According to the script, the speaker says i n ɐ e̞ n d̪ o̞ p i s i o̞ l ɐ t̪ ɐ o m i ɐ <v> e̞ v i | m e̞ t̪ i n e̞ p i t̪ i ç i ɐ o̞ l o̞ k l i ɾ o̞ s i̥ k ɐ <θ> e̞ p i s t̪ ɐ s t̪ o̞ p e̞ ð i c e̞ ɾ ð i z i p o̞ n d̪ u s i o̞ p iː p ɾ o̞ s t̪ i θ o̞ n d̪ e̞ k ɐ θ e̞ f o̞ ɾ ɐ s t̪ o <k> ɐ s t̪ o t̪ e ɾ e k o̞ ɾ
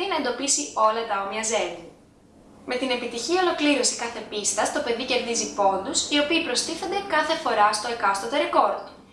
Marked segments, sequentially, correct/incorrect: incorrect, correct, correct

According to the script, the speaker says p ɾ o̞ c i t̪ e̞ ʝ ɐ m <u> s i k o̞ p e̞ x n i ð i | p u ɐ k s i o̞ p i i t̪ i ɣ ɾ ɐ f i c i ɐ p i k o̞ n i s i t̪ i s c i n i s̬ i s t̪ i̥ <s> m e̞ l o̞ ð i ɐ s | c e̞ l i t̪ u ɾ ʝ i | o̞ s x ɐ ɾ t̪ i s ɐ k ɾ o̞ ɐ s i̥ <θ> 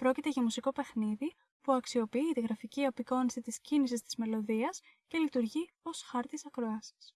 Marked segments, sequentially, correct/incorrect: correct, incorrect, incorrect

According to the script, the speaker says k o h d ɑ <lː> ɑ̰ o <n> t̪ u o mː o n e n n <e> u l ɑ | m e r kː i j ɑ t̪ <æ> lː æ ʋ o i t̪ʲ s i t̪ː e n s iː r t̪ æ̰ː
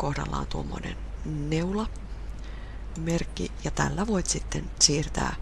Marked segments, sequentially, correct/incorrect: correct, correct, correct, correct

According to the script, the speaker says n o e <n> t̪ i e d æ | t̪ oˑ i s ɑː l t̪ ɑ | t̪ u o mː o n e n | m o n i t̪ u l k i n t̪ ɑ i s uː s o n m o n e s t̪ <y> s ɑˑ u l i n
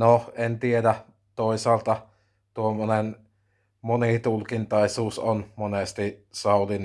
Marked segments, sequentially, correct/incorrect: correct, incorrect

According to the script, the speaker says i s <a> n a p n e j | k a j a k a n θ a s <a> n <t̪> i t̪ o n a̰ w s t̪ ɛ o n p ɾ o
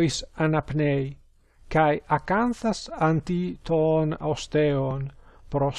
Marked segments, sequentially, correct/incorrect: correct, correct, correct

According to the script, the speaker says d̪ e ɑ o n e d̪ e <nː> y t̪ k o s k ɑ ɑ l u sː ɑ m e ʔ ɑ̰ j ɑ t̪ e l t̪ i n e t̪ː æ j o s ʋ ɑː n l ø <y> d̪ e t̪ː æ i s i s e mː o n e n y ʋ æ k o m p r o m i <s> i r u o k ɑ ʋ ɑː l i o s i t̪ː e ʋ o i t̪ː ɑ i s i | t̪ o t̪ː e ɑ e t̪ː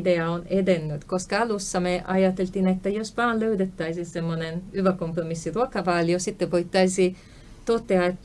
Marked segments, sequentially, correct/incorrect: correct, correct, incorrect

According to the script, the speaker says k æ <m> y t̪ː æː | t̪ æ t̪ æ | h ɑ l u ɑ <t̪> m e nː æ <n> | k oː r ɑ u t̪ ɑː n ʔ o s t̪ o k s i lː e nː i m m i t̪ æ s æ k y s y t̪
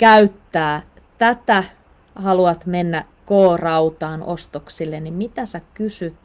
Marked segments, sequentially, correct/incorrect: incorrect, correct, incorrect

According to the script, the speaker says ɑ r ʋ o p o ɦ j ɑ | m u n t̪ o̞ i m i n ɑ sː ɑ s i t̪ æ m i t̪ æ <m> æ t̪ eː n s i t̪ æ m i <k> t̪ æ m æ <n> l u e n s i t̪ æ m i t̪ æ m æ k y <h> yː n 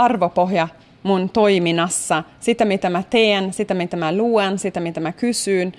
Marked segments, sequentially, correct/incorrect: correct, incorrect, incorrect, incorrect

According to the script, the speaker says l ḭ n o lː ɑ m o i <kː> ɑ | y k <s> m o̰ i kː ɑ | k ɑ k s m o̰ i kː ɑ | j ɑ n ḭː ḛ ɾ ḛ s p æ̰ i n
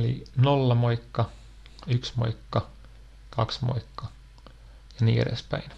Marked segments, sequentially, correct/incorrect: correct, correct

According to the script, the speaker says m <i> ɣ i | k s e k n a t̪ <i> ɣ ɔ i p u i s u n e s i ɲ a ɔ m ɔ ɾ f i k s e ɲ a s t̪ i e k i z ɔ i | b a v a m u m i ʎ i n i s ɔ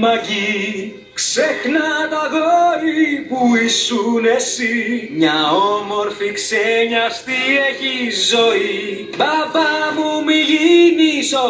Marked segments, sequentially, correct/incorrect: incorrect, incorrect

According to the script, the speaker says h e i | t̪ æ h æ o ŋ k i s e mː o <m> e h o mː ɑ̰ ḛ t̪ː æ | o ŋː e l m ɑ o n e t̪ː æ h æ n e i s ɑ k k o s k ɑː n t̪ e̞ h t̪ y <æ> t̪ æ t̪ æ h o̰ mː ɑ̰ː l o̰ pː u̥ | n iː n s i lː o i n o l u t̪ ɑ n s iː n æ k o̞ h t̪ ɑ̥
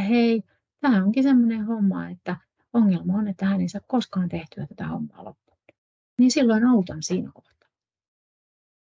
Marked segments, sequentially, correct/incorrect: incorrect, correct

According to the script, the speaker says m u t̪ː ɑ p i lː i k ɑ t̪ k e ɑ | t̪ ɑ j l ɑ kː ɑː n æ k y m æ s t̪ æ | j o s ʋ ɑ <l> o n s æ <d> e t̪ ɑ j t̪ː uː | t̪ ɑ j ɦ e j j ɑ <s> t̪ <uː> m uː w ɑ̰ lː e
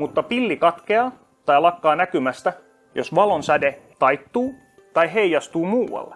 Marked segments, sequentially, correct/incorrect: correct, correct, correct, correct

